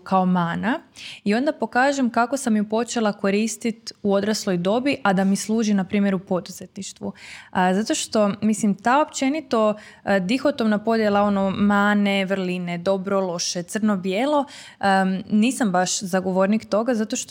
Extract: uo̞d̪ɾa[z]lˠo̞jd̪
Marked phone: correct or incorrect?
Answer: incorrect